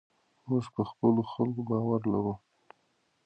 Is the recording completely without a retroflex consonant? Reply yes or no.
yes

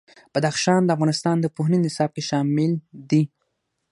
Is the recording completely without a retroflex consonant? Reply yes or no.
yes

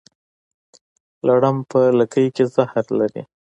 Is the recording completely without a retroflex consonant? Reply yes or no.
no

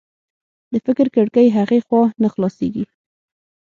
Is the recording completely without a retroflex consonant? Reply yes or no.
no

